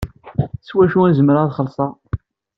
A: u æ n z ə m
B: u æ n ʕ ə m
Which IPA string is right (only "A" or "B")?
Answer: A